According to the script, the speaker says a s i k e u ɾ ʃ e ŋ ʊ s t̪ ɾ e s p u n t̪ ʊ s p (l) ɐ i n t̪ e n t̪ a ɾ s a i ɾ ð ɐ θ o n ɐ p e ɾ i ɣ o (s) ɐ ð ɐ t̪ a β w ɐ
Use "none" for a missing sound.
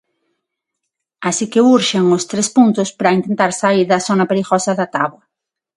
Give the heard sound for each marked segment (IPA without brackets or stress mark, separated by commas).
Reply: ɾ, s